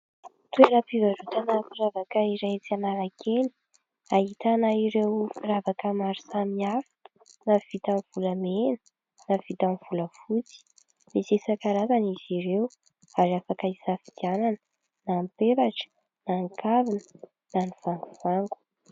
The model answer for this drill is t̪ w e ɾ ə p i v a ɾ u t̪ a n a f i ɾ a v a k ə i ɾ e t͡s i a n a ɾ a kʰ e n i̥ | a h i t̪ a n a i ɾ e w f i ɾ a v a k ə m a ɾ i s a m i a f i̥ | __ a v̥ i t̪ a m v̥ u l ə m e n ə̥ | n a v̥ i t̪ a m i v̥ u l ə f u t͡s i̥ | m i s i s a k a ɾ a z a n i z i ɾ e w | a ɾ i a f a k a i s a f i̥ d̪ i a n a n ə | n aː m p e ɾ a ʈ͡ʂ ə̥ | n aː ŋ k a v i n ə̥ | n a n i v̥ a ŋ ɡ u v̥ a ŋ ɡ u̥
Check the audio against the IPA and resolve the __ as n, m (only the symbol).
n